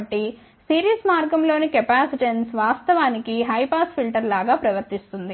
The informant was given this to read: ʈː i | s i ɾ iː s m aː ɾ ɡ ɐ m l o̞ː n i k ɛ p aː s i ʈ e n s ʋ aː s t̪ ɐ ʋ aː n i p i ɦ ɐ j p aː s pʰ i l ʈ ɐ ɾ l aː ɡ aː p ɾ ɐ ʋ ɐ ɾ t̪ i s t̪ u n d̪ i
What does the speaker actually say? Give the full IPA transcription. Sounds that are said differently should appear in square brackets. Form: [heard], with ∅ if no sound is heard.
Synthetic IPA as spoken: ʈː i | s [iː] ɾ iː s m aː ɾ ɡ ɐ m l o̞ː n i k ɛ p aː s i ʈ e n s ʋ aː s t̪ ɐ ʋ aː n i [k] i ɦ ɐ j p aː s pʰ i l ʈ ɐ ɾ l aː ɡ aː p ɾ ɐ ʋ ɐ ɾ t̪ i s t̪ u n d̪ i